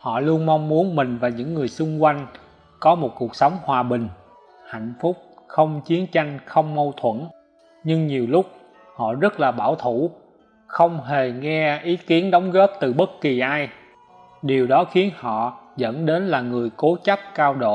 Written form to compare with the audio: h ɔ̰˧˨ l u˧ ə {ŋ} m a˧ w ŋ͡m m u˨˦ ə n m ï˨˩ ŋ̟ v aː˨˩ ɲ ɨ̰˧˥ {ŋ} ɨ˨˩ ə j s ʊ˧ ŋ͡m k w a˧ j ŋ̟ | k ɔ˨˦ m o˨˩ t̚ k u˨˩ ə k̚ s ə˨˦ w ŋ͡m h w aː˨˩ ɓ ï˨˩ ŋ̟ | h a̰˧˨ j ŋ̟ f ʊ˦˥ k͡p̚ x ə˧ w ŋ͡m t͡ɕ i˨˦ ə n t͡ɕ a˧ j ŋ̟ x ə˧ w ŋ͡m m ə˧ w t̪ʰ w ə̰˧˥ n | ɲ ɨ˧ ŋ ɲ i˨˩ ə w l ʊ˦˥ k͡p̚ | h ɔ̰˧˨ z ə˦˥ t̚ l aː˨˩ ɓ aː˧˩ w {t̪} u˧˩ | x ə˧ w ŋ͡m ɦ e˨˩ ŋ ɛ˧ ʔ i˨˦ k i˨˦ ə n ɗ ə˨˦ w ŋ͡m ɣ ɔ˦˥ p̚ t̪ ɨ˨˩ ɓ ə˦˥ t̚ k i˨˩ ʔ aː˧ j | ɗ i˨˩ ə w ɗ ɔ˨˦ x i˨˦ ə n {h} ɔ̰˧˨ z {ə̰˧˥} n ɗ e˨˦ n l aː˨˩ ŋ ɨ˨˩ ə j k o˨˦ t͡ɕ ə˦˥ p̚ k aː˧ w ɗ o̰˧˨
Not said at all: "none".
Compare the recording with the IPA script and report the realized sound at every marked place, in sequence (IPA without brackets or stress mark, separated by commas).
n, ŋː, t̪ʰ, h, ə̰˧˥